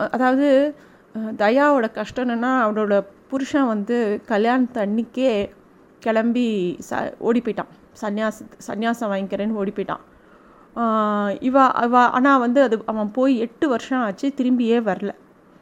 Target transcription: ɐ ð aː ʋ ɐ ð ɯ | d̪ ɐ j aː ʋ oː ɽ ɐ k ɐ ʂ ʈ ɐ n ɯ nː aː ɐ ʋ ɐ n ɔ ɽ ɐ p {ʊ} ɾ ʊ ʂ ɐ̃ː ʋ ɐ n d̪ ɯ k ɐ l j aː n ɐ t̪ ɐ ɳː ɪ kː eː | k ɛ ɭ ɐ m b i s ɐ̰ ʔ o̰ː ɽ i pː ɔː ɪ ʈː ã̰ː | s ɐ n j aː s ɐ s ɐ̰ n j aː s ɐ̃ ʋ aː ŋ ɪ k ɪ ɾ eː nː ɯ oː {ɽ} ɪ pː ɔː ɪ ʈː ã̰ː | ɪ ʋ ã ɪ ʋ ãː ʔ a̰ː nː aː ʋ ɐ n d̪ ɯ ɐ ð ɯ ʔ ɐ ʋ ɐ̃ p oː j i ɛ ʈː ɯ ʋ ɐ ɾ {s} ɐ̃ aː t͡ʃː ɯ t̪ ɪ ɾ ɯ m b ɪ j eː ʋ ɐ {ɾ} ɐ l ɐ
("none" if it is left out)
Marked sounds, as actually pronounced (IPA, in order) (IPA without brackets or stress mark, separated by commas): ʊ, ɽ, ʂ, ɾ